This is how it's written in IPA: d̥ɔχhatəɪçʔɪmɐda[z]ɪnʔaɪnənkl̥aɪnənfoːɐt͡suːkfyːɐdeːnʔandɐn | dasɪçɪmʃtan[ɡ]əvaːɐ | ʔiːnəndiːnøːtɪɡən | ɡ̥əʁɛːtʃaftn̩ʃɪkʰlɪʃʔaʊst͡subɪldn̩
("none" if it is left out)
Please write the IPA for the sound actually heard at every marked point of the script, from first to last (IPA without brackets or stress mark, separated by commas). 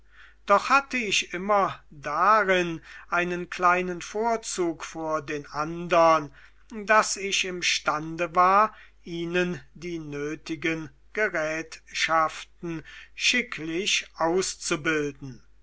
ʁ, d